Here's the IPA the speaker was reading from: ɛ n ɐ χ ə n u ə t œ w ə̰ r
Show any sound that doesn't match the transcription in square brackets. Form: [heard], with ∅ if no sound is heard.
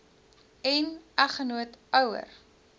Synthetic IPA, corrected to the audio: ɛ n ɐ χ ə n u ə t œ w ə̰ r